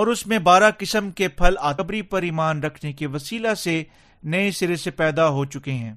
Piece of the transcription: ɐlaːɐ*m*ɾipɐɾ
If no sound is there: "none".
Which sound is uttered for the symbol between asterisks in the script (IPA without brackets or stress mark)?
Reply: b